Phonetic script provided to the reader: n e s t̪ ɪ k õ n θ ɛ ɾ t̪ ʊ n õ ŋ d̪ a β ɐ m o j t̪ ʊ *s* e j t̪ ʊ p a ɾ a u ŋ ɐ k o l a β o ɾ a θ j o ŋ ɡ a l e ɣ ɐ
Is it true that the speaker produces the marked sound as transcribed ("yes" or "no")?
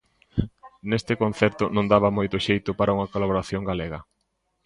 no